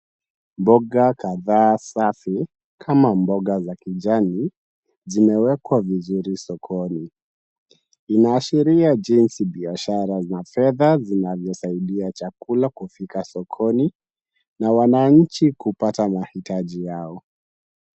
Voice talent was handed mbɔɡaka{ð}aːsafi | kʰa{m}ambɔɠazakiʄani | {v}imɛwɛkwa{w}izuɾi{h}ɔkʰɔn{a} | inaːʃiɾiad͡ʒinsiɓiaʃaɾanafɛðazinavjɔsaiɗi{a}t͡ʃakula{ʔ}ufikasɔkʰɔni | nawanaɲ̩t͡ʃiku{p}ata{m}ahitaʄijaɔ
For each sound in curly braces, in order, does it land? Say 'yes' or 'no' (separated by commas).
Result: yes, yes, no, no, no, no, yes, no, yes, yes